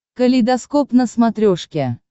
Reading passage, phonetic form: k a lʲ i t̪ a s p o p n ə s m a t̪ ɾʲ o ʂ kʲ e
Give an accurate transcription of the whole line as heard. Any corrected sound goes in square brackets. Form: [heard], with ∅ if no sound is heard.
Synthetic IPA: k [ə] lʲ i [d̪] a s [k] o p n ə s m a t̪ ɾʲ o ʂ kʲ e